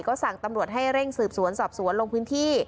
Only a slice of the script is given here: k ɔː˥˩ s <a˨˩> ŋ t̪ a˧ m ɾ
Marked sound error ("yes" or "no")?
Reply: no